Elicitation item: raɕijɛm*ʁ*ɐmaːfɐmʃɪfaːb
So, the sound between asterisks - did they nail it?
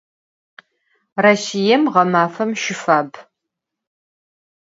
yes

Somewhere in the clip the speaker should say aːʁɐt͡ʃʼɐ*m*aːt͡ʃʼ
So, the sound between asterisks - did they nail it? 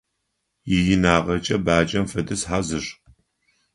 no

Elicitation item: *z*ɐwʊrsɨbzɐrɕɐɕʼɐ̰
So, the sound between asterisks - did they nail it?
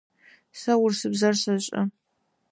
no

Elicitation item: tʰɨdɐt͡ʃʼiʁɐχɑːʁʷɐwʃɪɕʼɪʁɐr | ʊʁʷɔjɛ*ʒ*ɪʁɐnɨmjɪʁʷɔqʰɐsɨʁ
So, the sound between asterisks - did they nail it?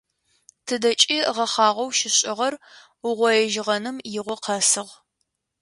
yes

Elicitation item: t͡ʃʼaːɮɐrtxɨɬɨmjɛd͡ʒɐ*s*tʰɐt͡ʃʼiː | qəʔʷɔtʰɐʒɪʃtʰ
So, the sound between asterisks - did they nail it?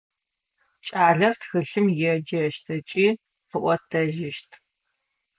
no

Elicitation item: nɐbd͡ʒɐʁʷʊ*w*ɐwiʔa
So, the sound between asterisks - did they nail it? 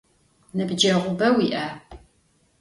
no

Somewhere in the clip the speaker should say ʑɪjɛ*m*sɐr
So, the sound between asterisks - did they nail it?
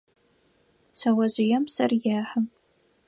yes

